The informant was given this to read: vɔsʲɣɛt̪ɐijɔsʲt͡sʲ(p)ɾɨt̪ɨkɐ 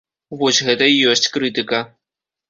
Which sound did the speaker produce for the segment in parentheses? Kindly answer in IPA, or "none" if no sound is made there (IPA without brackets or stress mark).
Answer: k